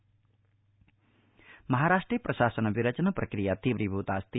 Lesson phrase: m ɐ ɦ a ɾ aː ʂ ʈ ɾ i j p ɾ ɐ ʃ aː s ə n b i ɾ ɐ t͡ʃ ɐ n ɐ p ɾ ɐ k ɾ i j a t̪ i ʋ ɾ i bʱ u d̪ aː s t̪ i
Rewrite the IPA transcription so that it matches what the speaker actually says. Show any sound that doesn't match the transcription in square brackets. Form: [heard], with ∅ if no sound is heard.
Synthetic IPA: m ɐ ɦ a ɾ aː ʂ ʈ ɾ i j p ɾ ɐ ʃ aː s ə n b i ɾ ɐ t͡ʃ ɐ n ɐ p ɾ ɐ k ɾ i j a t̪ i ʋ ɾ i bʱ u [t̪] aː s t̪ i